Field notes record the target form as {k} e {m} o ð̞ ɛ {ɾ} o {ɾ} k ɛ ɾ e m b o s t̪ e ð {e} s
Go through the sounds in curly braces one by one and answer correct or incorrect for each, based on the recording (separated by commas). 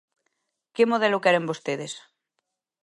correct, correct, incorrect, incorrect, correct